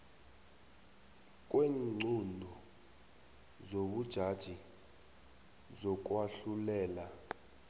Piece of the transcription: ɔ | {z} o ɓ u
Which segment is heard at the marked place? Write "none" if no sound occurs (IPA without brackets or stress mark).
z